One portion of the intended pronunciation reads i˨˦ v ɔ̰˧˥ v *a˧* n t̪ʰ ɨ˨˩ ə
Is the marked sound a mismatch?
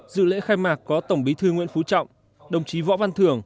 no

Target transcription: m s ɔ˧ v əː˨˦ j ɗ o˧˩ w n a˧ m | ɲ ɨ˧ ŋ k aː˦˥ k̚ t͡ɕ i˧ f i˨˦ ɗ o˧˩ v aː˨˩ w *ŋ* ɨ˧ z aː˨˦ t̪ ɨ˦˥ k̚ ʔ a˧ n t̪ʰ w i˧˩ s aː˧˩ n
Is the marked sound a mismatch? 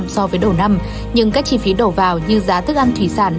yes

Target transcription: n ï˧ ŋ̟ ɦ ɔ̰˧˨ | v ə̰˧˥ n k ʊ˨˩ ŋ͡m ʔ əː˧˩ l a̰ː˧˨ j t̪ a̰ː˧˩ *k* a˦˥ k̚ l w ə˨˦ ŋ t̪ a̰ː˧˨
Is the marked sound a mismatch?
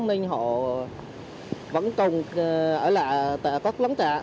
no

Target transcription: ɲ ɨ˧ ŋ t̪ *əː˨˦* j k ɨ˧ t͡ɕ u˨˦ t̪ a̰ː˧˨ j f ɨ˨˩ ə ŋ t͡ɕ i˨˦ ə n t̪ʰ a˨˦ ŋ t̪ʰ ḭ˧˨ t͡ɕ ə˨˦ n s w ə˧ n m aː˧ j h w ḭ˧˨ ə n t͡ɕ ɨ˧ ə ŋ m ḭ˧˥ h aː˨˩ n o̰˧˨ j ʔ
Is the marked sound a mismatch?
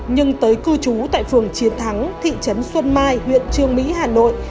no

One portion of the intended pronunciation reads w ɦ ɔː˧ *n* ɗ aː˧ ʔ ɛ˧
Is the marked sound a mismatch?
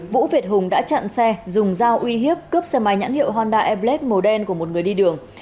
no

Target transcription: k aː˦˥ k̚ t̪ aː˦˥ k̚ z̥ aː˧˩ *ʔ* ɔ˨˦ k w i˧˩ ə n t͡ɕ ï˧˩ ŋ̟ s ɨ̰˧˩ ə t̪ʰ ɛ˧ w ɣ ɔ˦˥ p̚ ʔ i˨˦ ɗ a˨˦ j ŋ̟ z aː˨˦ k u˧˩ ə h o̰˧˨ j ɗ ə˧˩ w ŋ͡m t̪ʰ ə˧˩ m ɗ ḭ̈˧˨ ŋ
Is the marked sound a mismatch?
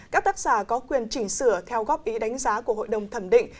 yes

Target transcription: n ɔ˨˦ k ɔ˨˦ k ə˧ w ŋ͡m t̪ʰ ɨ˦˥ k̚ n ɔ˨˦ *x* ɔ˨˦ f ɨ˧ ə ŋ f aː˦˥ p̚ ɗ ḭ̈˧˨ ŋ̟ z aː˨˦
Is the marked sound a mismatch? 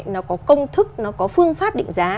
yes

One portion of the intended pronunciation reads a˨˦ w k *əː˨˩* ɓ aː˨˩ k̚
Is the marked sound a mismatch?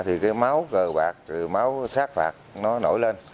no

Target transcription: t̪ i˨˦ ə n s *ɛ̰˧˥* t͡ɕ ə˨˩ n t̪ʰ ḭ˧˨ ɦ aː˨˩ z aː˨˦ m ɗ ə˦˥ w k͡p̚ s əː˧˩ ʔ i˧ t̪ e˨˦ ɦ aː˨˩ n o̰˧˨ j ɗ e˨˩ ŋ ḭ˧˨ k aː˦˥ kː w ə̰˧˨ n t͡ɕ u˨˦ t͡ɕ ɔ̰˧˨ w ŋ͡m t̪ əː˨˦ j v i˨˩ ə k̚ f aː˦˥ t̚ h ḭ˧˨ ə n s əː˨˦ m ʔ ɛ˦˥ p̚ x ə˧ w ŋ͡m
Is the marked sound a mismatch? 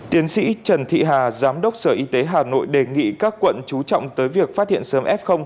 yes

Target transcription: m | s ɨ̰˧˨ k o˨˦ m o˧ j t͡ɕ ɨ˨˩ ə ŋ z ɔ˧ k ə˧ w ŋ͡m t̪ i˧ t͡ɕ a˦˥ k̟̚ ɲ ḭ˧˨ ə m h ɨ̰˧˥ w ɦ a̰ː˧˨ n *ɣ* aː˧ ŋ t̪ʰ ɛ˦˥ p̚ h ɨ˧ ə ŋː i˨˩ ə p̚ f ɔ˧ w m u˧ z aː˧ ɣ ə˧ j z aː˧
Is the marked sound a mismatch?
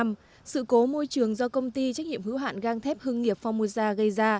no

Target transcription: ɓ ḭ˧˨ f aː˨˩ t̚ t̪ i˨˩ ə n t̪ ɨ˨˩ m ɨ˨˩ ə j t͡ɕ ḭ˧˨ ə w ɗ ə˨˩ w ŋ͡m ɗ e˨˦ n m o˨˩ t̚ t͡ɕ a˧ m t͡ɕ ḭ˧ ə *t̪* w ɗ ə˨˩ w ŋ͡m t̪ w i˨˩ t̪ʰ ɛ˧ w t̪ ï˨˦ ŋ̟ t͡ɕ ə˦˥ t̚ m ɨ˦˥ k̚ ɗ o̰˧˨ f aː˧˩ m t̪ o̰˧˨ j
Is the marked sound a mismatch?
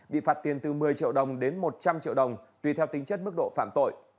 yes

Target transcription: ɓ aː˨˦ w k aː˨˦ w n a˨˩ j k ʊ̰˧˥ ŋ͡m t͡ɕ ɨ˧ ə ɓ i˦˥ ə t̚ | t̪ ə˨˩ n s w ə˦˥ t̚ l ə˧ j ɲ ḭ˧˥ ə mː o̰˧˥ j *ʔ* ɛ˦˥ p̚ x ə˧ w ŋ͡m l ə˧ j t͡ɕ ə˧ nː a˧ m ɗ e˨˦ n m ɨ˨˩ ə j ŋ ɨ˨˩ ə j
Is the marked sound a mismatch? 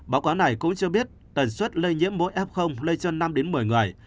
no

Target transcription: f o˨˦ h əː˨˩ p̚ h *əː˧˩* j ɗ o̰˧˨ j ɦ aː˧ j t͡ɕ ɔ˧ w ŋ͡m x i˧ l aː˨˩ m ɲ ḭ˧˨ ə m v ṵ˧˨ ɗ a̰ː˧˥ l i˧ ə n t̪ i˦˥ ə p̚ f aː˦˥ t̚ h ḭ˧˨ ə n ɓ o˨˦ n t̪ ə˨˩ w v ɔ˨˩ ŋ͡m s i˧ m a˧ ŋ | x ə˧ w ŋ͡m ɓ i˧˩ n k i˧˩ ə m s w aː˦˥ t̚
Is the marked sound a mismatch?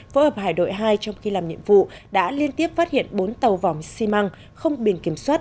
yes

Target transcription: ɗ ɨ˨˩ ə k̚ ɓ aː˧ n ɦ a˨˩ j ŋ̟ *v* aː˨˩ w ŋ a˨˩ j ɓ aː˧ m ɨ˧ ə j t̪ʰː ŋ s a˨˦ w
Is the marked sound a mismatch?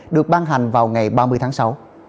no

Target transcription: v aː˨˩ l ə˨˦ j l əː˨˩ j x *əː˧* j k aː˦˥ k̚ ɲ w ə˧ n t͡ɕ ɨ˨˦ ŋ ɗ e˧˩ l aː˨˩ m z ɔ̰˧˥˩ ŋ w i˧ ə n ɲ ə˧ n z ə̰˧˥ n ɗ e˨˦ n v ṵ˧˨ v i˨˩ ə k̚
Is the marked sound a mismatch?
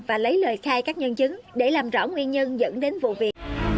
yes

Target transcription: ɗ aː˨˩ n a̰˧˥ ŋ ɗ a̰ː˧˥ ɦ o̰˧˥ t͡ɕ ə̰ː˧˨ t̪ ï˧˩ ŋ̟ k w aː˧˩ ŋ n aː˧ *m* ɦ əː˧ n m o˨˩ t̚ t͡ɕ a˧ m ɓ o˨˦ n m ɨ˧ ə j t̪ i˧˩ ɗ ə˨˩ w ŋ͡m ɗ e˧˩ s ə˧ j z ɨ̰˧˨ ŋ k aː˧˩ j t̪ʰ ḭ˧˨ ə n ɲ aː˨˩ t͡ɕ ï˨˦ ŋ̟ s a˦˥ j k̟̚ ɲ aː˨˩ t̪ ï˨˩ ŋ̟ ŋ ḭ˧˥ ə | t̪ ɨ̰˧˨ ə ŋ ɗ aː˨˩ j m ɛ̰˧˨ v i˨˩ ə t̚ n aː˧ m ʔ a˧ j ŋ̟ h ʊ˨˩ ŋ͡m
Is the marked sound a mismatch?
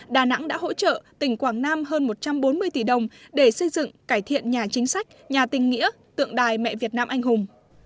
no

